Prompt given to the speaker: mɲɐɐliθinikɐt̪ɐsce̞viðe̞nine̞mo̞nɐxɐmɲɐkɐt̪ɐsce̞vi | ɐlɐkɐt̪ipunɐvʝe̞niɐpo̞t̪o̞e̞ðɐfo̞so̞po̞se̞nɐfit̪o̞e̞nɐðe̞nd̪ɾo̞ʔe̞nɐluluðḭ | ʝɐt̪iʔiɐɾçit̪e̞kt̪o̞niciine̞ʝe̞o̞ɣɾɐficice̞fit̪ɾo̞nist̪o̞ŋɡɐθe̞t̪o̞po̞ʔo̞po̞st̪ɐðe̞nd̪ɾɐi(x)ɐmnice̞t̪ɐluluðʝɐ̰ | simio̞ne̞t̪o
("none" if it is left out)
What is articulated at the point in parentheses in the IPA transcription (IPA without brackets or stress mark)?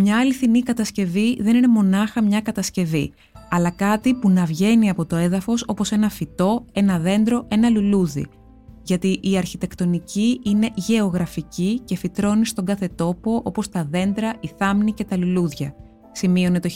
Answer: θ